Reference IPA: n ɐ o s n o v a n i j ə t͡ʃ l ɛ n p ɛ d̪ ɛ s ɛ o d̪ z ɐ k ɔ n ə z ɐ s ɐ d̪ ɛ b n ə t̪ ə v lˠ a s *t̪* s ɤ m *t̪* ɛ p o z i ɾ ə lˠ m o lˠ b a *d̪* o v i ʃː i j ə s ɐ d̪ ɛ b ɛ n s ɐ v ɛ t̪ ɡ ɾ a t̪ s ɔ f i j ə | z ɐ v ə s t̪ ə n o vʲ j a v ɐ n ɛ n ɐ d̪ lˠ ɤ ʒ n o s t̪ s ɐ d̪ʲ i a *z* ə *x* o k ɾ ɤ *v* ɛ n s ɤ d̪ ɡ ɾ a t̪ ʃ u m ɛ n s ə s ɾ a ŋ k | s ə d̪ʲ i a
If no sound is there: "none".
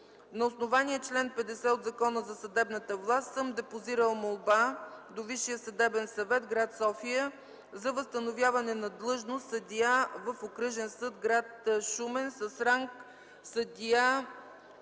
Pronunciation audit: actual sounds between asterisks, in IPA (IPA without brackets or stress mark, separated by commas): t̪, d̪, d̪, v, f, ʒ